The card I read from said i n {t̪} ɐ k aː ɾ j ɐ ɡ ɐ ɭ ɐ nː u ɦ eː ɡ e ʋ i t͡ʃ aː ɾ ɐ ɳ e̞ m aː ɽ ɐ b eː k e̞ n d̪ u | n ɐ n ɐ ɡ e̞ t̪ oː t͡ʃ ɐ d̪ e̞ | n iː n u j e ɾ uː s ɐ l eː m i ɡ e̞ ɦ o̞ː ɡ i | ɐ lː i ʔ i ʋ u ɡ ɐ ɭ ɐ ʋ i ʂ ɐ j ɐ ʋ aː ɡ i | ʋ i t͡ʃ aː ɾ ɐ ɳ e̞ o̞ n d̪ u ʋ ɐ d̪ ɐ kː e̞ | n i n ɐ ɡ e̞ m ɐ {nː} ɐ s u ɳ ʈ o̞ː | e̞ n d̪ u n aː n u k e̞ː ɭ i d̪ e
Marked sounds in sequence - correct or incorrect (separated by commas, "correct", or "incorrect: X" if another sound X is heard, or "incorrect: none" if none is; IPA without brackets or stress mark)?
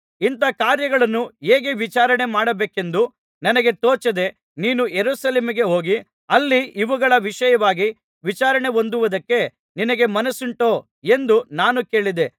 correct, incorrect: n